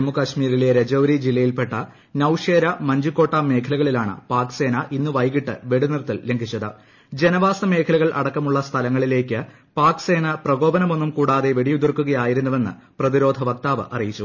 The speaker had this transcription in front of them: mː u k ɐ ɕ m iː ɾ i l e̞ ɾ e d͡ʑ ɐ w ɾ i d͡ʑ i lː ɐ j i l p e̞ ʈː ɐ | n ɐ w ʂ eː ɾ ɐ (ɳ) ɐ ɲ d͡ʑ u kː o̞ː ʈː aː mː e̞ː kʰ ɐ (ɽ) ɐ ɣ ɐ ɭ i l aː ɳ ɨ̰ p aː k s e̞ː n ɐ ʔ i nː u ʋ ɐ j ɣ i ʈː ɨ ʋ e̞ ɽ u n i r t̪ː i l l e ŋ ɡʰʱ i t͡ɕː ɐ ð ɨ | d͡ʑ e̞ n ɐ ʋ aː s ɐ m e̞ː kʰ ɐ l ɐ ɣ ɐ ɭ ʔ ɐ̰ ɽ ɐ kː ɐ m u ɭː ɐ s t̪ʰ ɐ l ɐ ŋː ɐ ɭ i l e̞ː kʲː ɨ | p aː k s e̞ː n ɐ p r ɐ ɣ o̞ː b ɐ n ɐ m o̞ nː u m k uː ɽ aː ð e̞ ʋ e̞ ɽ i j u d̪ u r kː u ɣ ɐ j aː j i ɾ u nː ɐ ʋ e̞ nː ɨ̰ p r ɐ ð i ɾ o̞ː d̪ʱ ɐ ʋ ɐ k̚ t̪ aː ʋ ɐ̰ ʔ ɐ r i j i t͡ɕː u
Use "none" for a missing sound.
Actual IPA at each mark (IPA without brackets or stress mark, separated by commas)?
m, l